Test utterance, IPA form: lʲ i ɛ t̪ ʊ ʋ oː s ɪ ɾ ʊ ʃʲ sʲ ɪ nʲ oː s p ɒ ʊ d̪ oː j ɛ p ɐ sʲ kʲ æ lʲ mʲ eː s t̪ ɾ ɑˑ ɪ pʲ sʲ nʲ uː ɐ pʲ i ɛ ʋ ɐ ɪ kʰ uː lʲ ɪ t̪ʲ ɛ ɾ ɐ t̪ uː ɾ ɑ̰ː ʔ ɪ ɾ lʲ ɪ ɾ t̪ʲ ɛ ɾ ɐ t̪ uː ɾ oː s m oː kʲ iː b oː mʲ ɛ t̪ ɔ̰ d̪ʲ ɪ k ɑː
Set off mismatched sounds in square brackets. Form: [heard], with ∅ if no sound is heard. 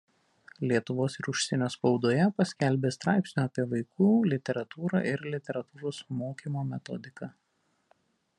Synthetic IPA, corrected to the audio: lʲ i ɛ t̪ ʊ ʋ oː s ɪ ɾ ʊ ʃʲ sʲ ɪ nʲ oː s p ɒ ʊ d̪ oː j ɛ p ɐ sʲ kʲ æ lʲ [bʲ] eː s t̪ ɾ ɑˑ ɪ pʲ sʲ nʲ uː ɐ pʲ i ɛ ʋ ɐ ɪ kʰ uː lʲ ɪ t̪ʲ ɛ ɾ ɐ t̪ uː ɾ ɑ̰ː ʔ ɪ ɾ lʲ ɪ [∅] t̪ʲ ɛ ɾ ɐ t̪ uː ɾ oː s m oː kʲ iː [m] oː mʲ ɛ t̪ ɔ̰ d̪ʲ ɪ k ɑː